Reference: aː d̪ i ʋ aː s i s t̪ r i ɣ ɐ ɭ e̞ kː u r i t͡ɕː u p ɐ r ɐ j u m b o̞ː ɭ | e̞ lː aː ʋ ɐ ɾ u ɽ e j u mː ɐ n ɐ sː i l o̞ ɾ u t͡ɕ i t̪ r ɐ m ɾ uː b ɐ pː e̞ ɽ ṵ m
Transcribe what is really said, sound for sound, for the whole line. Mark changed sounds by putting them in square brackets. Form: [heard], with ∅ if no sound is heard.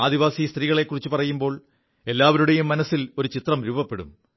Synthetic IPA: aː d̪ i ʋ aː s i s t̪ r [iː] ɣ ɐ ɭ e̞ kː u r i t͡ɕː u p ɐ r ɐ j u m b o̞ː ɭ | e̞ lː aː ʋ ɐ ɾ u ɽ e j u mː ɐ n ɐ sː i l o̞ ɾ u t͡ɕ i t̪ r ɐ m ɾ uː b ɐ pː e̞ ɽ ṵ m